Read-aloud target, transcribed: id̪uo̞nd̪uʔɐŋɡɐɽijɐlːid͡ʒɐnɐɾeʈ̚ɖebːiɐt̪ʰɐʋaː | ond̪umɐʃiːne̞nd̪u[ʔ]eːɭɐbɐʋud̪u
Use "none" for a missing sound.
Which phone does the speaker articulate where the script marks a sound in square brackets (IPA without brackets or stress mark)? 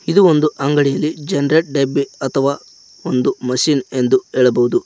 none